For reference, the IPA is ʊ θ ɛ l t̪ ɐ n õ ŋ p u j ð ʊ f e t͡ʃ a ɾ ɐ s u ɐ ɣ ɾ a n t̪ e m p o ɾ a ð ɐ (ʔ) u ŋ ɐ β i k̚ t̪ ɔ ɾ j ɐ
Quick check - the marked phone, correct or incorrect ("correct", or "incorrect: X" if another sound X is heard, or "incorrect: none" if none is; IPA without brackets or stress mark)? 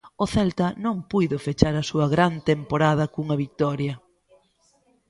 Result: incorrect: k